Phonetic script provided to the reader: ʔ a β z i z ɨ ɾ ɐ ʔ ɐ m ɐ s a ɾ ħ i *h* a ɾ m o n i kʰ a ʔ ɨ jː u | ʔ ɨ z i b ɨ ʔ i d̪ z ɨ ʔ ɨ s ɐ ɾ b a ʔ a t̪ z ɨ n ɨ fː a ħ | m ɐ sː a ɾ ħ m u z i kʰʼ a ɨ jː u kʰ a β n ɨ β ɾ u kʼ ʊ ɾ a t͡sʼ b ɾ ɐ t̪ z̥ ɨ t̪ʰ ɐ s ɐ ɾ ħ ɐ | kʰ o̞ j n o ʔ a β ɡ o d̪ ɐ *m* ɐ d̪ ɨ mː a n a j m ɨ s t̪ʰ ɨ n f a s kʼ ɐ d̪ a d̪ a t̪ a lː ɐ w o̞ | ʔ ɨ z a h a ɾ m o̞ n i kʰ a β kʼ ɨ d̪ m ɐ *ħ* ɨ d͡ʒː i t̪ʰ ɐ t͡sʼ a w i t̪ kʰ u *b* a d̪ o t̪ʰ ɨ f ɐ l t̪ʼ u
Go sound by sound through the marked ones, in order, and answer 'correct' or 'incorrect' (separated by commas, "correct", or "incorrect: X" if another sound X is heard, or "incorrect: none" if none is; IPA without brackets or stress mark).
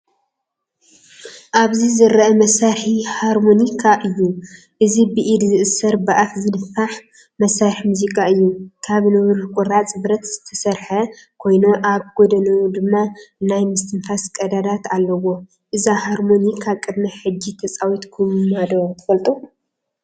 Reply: correct, incorrect: n, correct, incorrect: m